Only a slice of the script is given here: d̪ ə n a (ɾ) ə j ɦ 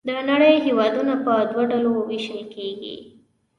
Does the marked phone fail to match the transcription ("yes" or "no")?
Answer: yes